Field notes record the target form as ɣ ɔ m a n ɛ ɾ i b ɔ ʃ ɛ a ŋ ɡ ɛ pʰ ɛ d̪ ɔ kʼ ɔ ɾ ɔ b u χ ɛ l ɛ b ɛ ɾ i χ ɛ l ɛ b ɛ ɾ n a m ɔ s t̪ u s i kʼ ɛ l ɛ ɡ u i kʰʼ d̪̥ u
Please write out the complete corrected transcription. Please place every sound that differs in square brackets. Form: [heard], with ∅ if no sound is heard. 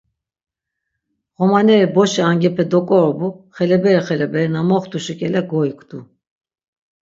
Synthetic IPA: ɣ ɔ m a n ɛ ɾ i b ɔ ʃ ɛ a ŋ ɡ ɛ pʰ ɛ d̪ ɔ kʼ ɔ ɾ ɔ b u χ ɛ l ɛ b ɛ ɾ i χ ɛ l ɛ b ɛ ɾ n a m ɔ [χ] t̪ u [ʃ] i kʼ ɛ l ɛ ɡ [ɔ] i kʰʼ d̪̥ u